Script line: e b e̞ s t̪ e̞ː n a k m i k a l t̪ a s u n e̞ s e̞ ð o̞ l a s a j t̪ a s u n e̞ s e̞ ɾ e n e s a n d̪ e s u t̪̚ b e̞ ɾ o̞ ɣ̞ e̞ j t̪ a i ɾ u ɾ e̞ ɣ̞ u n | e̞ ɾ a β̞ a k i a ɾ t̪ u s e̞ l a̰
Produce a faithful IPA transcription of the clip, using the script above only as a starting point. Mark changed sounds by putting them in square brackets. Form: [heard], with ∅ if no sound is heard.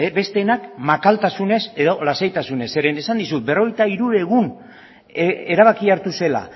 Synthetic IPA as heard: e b e̞ s t̪ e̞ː n a k m [a] k a l t̪ a s u n e̞ s e̞ ð o̞ l a s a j t̪ a s u n e̞ s e̞ ɾ e n e s a n d̪ [i] s u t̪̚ b e̞ [r] o̞ ɣ̞ e̞ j t̪ a i ɾ u ɾ e̞ ɣ̞ u n | e̞ ɾ a β̞ a k i a ɾ t̪ u s e̞ l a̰

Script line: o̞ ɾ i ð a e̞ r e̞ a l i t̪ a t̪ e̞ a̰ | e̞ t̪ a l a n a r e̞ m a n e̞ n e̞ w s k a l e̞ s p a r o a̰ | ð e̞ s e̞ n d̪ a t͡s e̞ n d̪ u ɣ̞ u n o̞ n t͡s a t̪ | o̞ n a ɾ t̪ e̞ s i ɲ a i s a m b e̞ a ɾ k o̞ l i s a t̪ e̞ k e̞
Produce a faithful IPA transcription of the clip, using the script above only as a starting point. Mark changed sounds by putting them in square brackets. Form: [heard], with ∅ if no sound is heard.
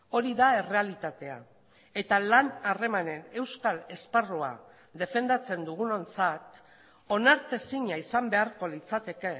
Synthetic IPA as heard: o̞ ɾ i ð a e̞ r e̞ a l i t̪ a t̪ e̞ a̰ | e̞ t̪ a l a n a r e̞ m a n e̞ n e̞ w s k a l e̞ s p a r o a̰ | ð e̞ [f] e̞ n d̪ a t͡s e̞ n d̪ u ɣ̞ u n o̞ n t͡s a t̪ | o̞ n a ɾ t̪ e̞ s i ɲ a i s a m b e̞ a ɾ k o̞ l i [t͡s] a t̪ e̞ k e̞

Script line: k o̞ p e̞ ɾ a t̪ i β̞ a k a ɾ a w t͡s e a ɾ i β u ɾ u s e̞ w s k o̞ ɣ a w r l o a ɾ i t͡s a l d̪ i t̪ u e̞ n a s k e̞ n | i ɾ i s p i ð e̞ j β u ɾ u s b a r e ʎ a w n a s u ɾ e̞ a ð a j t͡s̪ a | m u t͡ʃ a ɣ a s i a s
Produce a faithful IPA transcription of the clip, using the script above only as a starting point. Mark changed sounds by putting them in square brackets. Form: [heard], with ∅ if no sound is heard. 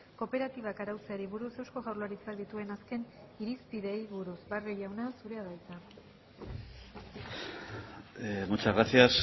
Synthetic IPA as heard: k o̞ p e̞ ɾ a t̪ i β̞ a k a ɾ a w t͡s e a ɾ i β u ɾ u s e̞ w s k o̞ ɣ a w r l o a ɾ i t͡s a l d̪ i t̪ u e̞ n a s k e̞ n | i ɾ i s p i ð e̞ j β u ɾ u s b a r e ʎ a w n a s u ɾ e̞ a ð a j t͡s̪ a | m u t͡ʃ a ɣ a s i a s

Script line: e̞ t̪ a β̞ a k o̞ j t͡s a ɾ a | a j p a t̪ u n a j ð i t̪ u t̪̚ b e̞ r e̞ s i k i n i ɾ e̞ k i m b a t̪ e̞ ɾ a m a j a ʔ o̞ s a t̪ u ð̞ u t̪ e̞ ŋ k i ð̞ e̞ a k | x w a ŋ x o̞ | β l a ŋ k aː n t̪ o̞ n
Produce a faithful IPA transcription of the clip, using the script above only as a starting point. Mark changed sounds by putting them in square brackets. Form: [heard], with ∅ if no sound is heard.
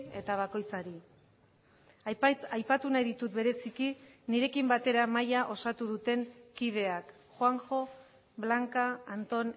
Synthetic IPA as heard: e̞ t̪ a β̞ a k o̞ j t͡s a ɾ [i] | a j p a t̪ u n a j ð i t̪ u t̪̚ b e̞ [ɾ] e̞ s i k i n i ɾ e̞ k i m b a t̪ e̞ ɾ a m a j a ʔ o̞ s a t̪ u ð̞ u t̪ e̞ ŋ k i ð̞ e̞ a k | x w a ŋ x o̞ | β l a ŋ k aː n t̪ o̞ n

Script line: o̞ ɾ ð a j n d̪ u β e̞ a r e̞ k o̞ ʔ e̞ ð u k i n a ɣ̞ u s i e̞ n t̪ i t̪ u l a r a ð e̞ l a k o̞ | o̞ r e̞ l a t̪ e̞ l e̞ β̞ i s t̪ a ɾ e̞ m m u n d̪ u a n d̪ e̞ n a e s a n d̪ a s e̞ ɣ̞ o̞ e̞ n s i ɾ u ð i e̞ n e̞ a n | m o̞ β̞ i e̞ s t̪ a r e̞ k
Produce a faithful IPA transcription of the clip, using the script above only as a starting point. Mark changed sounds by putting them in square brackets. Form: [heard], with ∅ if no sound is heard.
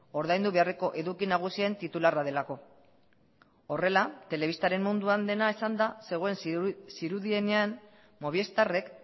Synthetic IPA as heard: o̞ ɾ ð a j n d̪ u β e̞ a r e̞ k o̞ ʔ e̞ ð u k i n a ɣ̞ u s i e̞ n t̪ i t̪ u l a r a ð e̞ l a k o̞ | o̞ r e̞ l a t̪ e̞ l e̞ β̞ i s t̪ a ɾ e̞ m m u n d̪ u a n d̪ e̞ n a e s a n d̪ a s e̞ ɣ̞ o̞ e̞ n s i ɾ u ð i e̞ n e̞ a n | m o̞ β̞ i e̞ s t̪ a r e̞ k

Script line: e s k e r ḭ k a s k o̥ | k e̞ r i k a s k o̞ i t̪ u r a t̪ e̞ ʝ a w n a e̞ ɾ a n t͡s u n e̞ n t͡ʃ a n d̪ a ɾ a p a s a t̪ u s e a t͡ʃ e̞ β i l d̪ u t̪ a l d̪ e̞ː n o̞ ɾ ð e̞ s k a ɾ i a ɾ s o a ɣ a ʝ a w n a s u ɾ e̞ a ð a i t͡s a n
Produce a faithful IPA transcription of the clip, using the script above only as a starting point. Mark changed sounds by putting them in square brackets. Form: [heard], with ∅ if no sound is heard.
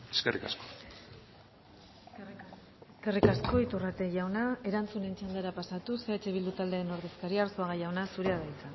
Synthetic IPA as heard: e s k e r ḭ k a s k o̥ | k e̞ r i k a s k o̞ i t̪ u r a t̪ e̞ ʝ a w n a e̞ ɾ a n t͡s u n e̞ n t͡ʃ a n d̪ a ɾ a p a s a t̪ u s e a t͡ʃ e̞ β i l d̪ u t̪ a l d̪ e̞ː n o̞ ɾ ð e̞ s k a ɾ i a ɾ s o a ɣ a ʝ a w n a s u ɾ e̞ a ð a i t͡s a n

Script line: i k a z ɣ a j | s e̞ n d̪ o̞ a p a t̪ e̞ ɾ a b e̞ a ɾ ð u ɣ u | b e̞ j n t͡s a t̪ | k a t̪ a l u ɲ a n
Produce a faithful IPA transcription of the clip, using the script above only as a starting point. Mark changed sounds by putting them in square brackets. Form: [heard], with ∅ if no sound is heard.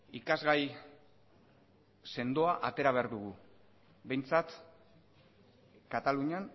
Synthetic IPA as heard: i k a z ɣ a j | s e̞ n d̪ o̞ a [ʔ] a t̪ e̞ ɾ a [β] e̞ a ɾ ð u ɣ u | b e̞ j n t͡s a t̪ | k a t̪ a l u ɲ a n

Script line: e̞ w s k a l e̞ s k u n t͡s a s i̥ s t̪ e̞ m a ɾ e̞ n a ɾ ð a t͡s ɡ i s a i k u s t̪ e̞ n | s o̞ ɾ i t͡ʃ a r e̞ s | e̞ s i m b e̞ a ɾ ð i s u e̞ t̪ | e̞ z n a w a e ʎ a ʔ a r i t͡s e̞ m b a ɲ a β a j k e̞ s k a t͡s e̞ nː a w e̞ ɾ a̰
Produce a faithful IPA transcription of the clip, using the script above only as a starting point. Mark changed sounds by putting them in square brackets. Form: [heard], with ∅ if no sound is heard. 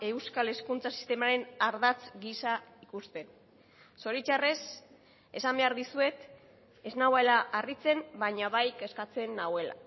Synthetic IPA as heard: e̞ w s k a l e̞ s k u n t͡s a s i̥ s t̪ e̞ m a ɾ e̞ n a ɾ ð a t͡s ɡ i s a i k u s t̪ e̞ n | s o̞ ɾ i t͡ʃ a r e̞ s | e̞ s [a] m b e̞ a ɾ ð i s u e̞ t̪ | e̞ z n a w a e [l] a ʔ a r i t͡s e̞ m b a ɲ a β a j k e̞ s k a t͡s e̞ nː a w e̞ [l] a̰

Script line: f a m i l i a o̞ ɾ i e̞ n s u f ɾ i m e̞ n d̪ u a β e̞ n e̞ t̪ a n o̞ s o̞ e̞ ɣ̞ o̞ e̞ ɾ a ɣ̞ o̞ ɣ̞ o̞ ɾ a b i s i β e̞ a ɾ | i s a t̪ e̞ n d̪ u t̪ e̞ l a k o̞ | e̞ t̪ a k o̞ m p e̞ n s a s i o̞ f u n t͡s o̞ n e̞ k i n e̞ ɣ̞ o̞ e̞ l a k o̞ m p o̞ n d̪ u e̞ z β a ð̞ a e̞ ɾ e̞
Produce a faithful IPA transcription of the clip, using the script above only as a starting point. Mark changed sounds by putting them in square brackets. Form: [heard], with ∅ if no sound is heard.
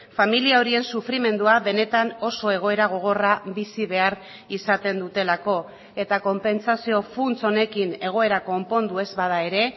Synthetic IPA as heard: f a m i l i a o̞ ɾ i e̞ n s u f ɾ i m e̞ n d̪ u a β e̞ n e̞ t̪ a n o̞ s o̞ e̞ ɣ̞ o̞ e̞ ɾ a ɣ̞ o̞ ɣ̞ o̞ [r] a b i s i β e̞ a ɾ | i s a t̪ e̞ n d̪ u t̪ e̞ l a k o̞ | e̞ t̪ a k o̞ m p e̞ n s a s i o̞ f u n t͡s o̞ n e̞ k i n e̞ ɣ̞ o̞ e̞ [ɾ] a k o̞ m p o̞ n d̪ u e̞ z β a ð̞ a e̞ ɾ e̞

